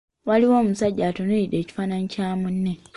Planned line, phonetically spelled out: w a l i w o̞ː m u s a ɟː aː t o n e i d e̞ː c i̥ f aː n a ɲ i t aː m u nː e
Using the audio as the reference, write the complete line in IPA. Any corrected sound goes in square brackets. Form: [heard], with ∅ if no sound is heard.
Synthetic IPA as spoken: w a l i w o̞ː m u s a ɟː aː t o n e i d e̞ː c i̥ f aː n a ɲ i [c] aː m u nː e